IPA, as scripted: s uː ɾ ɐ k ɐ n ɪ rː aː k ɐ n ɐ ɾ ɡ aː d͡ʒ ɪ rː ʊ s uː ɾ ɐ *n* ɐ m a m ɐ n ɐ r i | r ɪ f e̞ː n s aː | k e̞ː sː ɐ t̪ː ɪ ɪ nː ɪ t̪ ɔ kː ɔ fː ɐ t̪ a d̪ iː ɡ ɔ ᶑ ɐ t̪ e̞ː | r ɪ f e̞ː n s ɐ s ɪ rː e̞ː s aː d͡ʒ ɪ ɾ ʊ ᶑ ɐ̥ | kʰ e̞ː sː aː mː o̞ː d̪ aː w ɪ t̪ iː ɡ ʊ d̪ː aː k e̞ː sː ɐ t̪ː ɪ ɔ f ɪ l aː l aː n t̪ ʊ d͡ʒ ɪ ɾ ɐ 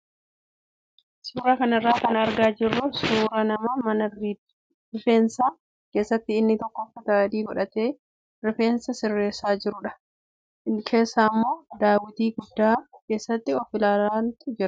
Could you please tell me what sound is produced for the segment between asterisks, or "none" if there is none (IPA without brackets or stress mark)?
n